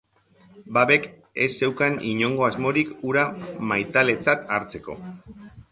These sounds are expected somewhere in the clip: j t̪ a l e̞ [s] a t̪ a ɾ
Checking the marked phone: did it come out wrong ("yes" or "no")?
yes